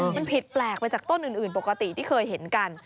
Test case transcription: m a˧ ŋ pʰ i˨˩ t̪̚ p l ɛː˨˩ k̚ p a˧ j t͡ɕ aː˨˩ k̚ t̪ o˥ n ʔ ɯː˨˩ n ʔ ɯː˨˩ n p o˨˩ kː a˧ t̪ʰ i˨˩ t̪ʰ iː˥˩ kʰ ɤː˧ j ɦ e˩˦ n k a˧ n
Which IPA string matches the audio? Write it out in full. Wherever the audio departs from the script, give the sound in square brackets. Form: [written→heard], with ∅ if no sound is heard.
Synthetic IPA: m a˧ [ŋ→n] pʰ i˨˩ t̪̚ p l ɛː˨˩ k̚ p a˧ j t͡ɕ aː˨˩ k̚ t̪ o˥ n ʔ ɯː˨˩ n ʔ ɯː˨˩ n p o˨˩ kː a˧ [t̪ʰ→t̪] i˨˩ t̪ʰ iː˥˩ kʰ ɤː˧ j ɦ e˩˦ n k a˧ n